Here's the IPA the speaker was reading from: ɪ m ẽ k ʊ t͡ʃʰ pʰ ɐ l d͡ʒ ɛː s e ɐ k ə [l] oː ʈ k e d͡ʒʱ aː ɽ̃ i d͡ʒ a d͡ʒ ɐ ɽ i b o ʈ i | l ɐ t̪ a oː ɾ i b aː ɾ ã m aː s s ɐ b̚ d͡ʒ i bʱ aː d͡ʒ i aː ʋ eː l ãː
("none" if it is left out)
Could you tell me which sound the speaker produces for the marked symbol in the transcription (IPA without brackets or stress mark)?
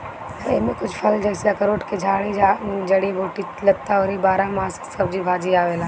ɾ